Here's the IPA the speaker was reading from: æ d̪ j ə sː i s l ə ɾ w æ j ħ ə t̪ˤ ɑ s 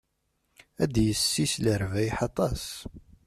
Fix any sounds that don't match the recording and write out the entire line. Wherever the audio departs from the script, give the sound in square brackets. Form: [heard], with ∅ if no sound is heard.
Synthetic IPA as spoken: æ d̪ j ə sː i s l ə ɾ [v] æ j ħ [ɑ] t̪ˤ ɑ s